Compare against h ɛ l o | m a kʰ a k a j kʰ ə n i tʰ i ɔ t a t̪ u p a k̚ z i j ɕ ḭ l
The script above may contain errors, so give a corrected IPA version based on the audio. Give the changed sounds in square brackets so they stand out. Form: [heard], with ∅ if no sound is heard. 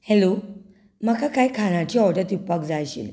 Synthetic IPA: h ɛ l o | m a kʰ a k a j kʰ [a] n [a] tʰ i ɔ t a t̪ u p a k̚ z [a] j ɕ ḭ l